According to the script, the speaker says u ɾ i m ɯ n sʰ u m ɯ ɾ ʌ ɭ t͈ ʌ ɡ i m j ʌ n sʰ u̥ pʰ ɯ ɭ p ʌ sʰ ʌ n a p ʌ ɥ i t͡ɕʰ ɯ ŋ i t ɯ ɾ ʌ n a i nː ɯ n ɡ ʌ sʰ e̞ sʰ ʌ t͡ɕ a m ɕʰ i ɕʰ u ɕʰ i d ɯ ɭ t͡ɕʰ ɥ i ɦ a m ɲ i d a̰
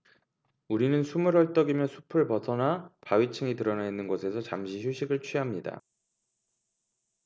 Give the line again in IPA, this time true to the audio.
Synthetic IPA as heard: u ɾ i n ɯ n sʰ u m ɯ ɾ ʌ ɭ t͈ ʌ ɡ i m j ʌ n sʰ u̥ pʰ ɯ ɭ p ʌ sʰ ʌ n a p a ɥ i t͡ɕʰ ɯ ŋ i t ɯ ɾ ʌ n a i nː ɯ n ɡ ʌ sʰ e̞ sʰ ʌ t͡ɕ a m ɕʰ i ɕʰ u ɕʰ i ɡ ɯ ɭ t͡ɕʰ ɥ i ɦ a m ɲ i d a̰